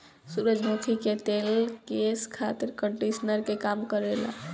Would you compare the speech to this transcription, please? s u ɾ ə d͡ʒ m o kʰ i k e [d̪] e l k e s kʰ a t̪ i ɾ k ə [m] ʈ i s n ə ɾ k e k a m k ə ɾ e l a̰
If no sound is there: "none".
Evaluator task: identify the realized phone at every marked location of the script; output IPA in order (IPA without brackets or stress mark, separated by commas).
t̪, ɳ